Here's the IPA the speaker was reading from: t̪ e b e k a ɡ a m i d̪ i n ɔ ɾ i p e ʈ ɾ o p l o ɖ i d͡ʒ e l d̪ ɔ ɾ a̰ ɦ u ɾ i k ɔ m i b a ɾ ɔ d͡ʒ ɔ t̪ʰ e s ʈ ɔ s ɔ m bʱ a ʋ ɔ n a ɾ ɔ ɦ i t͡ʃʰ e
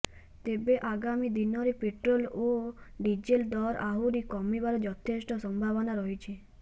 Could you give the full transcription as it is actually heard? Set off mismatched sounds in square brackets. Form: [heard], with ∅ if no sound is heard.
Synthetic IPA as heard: t̪ e b e [ʔ] a ɡ a m i d̪ i n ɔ ɾ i p e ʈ ɾ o [∅] l o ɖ i d͡ʒ e l d̪ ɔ ɾ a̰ ɦ u ɾ i k ɔ m i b a ɾ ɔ d͡ʒ ɔ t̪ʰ e s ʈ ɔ s ɔ m bʱ a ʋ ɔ n a ɾ ɔ ɦ i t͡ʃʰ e